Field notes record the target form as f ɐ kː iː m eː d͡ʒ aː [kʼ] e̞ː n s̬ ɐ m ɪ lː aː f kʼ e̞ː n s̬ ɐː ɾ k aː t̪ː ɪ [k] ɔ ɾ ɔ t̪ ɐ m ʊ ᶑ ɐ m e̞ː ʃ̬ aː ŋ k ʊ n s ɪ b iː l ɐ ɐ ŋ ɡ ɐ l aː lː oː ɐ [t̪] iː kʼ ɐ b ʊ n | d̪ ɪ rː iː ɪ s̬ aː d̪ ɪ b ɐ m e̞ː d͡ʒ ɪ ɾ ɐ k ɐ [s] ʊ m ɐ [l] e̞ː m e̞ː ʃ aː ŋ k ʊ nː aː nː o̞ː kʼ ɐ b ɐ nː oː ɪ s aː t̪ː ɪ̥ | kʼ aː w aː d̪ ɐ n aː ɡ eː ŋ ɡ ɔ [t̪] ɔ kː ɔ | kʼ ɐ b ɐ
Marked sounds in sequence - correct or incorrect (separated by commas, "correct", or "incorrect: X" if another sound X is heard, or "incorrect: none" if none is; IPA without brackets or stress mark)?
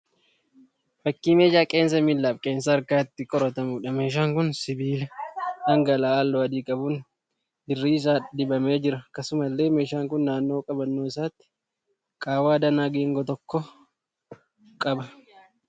correct, incorrect: kʼ, incorrect: d̪, correct, incorrect: lː, correct